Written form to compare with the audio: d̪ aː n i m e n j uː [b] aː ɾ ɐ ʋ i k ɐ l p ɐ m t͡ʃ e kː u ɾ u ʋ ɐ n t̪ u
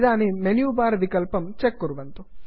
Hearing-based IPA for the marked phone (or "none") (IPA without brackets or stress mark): b